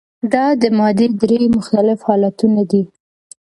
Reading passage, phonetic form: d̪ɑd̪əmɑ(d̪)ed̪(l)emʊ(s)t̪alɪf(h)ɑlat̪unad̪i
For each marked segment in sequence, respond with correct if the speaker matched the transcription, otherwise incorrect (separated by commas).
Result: correct, incorrect, incorrect, correct